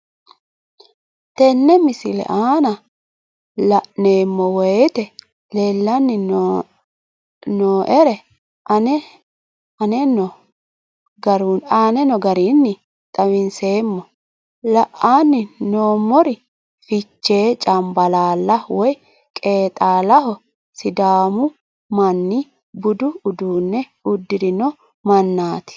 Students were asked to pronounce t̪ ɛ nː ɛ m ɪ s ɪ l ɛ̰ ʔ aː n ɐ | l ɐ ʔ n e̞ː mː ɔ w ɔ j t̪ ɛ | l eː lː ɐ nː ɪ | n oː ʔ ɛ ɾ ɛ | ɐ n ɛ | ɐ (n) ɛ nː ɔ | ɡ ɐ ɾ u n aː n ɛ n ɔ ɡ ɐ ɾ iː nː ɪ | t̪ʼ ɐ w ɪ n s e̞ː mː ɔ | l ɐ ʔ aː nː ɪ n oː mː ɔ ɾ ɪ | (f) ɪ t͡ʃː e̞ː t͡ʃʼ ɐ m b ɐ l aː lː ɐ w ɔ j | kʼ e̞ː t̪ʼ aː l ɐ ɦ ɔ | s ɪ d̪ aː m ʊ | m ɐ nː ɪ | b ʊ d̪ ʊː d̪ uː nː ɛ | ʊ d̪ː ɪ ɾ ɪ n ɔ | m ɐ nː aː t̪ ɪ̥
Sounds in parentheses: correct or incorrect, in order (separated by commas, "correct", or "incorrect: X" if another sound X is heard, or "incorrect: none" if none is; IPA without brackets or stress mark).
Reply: correct, correct